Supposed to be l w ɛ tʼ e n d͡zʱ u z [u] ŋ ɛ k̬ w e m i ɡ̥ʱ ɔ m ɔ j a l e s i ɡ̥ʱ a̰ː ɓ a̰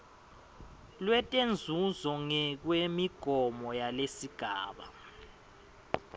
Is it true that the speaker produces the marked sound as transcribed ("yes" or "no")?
no